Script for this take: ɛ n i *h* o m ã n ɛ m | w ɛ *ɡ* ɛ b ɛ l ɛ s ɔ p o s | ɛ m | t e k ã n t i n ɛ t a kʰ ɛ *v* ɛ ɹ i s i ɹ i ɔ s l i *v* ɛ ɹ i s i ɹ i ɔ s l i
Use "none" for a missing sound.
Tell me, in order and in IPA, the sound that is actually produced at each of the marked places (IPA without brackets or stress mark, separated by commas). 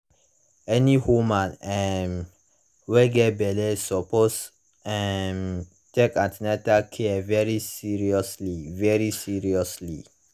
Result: h, ɡ, v, v